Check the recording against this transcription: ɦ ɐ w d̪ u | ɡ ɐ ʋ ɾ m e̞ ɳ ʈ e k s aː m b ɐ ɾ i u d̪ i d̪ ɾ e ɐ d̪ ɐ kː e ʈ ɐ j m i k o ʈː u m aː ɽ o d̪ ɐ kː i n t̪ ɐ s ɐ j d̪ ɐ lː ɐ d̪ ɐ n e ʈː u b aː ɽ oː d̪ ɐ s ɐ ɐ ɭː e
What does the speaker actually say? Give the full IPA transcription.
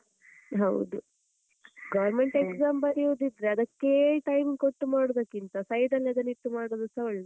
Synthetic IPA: ɦ ɐ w d̪ u | ɡ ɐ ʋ ɾ m e̞ ɳ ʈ e k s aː m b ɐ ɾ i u d̪ i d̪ ɾ e ɐ d̪ ɐ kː e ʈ ɐ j m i k o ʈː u m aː ɽ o d̪ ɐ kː i n t̪ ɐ s ɐ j d̪ ɐ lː ɐ d̪ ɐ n i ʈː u m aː ɽ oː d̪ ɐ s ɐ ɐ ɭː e